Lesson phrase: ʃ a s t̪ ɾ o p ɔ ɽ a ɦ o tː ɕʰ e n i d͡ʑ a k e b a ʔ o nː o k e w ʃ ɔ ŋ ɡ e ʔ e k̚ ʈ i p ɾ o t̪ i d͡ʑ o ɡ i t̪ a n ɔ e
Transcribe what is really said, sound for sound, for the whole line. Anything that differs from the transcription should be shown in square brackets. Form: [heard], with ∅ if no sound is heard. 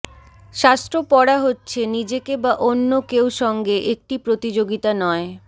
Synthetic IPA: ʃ a s t̪ ɾ o p ɔ ɽ a ɦ o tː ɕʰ e n i d͡ʑ [e] k e b a ʔ o nː o k e w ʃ ɔ ŋ ɡ e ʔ e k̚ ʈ i p ɾ o t̪ i d͡ʑ o ɡ i t̪ a n ɔ e

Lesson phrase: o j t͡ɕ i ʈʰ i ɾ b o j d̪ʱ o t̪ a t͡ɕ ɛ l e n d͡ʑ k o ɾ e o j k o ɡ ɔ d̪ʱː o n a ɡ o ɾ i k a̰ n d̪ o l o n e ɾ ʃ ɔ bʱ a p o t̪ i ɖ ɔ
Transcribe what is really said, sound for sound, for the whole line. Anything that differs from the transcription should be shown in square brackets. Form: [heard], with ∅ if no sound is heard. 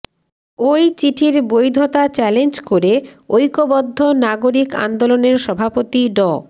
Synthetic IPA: o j t͡ɕ i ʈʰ i ɾ b o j d̪ʱ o t̪ a t͡ɕ ɛ l e n d͡ʑ k o ɾ e o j k o [b] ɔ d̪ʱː o n a ɡ o ɾ i k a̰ n d̪ o l o n e ɾ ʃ ɔ bʱ a p o t̪ i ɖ ɔ

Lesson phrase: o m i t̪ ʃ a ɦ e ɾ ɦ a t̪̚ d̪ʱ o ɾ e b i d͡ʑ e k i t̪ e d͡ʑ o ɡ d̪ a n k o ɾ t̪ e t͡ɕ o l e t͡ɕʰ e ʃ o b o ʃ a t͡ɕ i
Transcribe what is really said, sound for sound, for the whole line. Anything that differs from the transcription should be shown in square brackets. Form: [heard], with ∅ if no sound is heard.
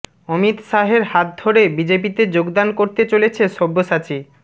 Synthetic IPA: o m i t̪ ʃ a ɦ e ɾ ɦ a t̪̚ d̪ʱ o ɾ e b i d͡ʑ e [p] i t̪ e d͡ʑ o ɡ d̪ a n k o ɾ t̪ e t͡ɕ o l e t͡ɕʰ e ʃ o [bː] o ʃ a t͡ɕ i

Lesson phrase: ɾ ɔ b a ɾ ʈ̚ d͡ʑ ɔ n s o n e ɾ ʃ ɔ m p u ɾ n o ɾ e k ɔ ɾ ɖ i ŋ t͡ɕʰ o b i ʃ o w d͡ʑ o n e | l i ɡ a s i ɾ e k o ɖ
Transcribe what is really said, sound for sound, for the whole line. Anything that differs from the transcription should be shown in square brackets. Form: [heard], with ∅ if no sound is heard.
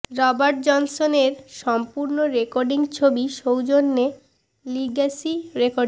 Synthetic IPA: ɾ ɔ b a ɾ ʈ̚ d͡ʑ ɔ n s o n e ɾ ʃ ɔ m p u ɾ n o ɾ e k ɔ ɾ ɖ i ŋ t͡ɕʰ o b i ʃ o w d͡ʑ o [nː] e | l i ɡ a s i ɾ e k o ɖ

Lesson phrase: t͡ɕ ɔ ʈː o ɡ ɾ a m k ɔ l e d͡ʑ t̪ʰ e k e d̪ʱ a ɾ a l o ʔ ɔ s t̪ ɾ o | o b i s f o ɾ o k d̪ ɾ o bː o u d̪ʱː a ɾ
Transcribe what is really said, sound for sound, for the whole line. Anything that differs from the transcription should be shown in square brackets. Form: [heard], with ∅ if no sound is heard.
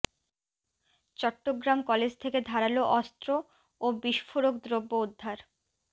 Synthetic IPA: t͡ɕ ɔ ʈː o ɡ ɾ a m k ɔ l e d͡ʑ t̪ʰ e k e d̪ʱ a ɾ a l o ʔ ɔ s t̪ ɾ o | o b i [ʃ] f o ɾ o k d̪ ɾ o bː o u d̪ʱː a ɾ

